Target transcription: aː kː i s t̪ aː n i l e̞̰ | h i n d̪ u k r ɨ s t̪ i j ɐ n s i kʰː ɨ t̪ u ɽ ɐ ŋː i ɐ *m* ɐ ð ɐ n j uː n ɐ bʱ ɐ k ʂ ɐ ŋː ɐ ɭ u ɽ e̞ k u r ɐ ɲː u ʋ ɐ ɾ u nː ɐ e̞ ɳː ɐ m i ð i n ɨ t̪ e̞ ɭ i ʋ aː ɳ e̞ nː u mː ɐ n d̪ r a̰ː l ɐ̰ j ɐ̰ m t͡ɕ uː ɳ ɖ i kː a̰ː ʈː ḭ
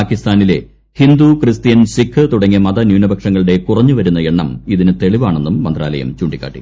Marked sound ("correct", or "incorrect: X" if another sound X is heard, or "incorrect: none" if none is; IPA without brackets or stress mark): correct